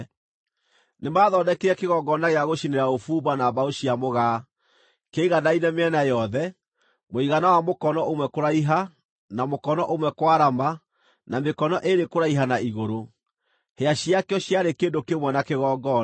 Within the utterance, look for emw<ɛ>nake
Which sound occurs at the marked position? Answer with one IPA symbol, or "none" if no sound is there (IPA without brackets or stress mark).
ɛ